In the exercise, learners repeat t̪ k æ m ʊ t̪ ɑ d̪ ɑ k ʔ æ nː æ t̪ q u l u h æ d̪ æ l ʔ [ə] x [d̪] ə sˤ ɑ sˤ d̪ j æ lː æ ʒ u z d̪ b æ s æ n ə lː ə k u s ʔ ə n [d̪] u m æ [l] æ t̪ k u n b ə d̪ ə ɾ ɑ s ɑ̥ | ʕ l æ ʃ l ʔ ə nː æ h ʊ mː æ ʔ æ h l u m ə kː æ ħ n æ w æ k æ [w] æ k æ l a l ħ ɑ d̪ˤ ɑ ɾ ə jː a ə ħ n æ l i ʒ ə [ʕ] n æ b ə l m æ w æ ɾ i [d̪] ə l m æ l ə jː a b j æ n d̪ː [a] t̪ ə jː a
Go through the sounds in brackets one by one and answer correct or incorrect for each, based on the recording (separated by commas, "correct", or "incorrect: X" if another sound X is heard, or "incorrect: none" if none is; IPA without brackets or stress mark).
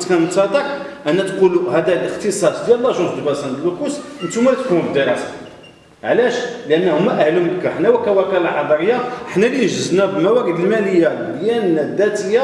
correct, incorrect: t̪, incorrect: t̪, correct, correct, incorrect: z, correct, incorrect: æ